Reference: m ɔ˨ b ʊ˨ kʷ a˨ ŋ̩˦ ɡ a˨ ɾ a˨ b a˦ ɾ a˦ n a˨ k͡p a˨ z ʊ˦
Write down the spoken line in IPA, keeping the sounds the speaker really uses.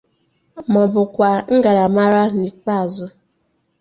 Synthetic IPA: m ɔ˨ b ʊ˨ kʷ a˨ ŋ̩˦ ɡ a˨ ɾ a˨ m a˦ ɾ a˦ n i˨ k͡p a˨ z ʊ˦